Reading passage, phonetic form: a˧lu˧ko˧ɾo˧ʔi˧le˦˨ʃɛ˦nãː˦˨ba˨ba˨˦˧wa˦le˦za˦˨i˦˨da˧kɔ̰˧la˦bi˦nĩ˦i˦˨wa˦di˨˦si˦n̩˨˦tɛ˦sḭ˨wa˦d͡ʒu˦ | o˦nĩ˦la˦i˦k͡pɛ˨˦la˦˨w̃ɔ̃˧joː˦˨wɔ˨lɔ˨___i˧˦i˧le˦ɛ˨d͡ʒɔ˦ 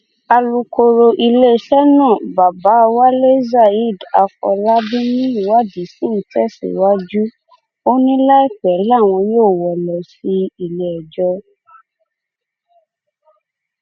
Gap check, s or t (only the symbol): s